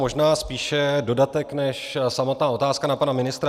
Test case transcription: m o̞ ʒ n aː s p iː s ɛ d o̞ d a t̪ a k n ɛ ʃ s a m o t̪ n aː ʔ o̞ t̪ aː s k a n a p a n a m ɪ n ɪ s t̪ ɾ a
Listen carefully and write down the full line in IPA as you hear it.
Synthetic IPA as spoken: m o̞ ʒ n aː s p iː ʃ ɛ d o̞ d a t̪ ɛ k n ɛ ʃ s a m o t̪ n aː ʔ o̞ t̪ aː s k a n a p a n a m ɪ n ɪ s t̪ ɾ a

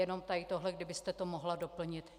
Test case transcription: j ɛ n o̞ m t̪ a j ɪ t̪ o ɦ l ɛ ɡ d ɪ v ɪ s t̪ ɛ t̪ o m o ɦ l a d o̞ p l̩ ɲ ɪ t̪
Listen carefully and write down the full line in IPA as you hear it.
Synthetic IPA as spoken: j ɛ n o̞ m t̪ a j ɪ t̪ o ɦ l ɛ ɡ d ɪ b ɪ s t̪ ɛ t̪ o m o ɦ l a d o̞ p l̩ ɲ ɪ t̪

